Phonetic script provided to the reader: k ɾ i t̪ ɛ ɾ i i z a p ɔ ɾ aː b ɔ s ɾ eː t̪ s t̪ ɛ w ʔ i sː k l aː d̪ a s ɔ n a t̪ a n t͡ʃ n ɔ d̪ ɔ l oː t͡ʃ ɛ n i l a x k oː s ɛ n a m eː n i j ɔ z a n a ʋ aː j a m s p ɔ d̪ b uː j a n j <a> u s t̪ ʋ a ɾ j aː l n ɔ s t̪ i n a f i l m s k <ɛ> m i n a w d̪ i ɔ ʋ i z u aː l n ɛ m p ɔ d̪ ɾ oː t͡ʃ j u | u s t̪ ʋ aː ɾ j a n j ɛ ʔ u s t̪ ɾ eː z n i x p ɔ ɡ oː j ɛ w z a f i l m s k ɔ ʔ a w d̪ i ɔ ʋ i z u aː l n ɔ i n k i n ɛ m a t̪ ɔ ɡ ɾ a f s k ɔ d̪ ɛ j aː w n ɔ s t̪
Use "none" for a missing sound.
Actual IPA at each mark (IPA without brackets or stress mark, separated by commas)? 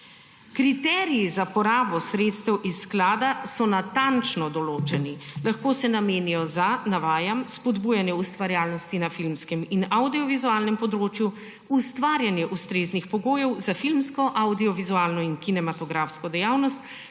ɛ, ɛ